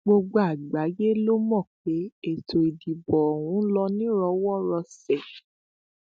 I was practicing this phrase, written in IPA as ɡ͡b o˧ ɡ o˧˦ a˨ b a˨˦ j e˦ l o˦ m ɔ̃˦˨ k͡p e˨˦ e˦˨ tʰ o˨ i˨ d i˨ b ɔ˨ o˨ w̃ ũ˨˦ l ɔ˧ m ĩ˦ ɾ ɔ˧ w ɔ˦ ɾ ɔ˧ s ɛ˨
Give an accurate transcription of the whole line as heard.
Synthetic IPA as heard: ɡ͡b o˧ ɡ͡b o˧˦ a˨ ɡ͡b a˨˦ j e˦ l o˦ m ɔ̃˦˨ k͡p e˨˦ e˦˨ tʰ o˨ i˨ d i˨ b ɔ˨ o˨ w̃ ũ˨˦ l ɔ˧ n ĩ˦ ɾ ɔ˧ w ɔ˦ ɾ ɔ˧ s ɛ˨